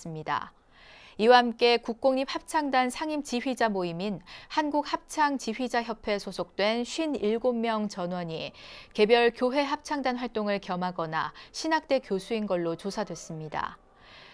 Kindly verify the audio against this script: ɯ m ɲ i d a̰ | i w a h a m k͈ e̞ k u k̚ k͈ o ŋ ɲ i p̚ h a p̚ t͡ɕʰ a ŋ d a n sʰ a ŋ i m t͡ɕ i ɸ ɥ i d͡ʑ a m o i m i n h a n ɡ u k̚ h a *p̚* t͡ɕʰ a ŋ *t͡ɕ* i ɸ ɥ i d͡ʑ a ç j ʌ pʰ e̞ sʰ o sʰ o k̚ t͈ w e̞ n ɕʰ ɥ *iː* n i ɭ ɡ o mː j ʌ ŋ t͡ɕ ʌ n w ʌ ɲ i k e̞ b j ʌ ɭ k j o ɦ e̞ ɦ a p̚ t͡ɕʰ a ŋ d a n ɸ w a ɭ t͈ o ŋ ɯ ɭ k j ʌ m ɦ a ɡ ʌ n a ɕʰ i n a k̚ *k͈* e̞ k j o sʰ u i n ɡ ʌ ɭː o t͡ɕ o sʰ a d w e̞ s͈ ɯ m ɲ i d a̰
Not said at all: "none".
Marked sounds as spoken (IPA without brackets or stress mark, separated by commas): p̚, t͡ɕ, i, t͈